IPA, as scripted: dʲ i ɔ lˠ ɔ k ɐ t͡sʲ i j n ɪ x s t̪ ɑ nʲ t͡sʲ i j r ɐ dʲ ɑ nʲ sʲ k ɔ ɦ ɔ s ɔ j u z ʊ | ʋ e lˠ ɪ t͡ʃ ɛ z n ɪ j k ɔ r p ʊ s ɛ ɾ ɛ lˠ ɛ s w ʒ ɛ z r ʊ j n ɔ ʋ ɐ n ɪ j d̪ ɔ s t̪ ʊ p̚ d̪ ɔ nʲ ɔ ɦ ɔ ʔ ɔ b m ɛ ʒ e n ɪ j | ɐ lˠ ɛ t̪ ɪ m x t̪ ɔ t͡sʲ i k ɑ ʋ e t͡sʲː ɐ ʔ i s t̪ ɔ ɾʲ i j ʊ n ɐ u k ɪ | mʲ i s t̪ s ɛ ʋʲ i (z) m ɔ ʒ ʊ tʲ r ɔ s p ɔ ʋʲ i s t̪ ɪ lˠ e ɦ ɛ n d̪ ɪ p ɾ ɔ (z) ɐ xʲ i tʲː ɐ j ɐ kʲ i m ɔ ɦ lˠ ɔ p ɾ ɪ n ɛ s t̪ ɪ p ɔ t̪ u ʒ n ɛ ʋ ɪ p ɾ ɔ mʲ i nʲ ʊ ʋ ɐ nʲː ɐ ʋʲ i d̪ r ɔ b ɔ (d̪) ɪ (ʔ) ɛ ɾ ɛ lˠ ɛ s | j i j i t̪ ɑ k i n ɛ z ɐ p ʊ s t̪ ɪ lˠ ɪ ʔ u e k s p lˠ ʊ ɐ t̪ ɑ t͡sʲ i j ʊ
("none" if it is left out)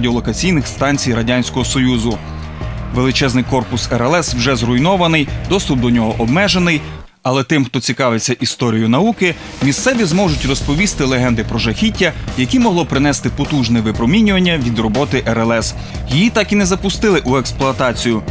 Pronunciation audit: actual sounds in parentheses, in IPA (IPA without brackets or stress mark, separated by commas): z, ʒ, t̪, ʔ